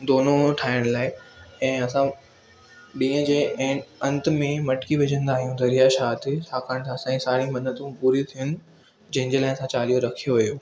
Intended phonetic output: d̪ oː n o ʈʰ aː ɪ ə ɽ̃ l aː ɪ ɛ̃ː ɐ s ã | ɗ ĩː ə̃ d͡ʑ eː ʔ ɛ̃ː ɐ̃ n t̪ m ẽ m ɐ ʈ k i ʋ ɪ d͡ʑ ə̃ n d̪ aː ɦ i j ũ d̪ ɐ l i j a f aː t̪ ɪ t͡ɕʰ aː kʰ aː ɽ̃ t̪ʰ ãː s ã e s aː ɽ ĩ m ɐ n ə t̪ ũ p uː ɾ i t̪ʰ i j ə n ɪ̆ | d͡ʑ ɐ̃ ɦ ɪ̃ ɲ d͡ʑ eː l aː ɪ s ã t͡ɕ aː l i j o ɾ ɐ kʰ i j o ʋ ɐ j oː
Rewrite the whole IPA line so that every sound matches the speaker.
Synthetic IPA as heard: d̪ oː n o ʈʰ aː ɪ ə ɽ̃ l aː ɪ ɛ̃ː ɐ s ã | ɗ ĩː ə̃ d͡ʑ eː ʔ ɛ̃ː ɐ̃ n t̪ m ẽ m ɐ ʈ k i ʋ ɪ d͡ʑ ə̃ n d̪ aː ɦ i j ũ d̪ ɐ ɾ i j a ʃ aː t̪ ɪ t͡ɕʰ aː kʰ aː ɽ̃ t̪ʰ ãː s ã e s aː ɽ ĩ m ɐ n ə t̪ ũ p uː ɾ i t̪ʰ i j ə n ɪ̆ | d͡ʑ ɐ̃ ɦ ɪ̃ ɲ d͡ʑ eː l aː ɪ s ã t͡ɕ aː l i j o ɾ ɐ kʰ i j o ʋ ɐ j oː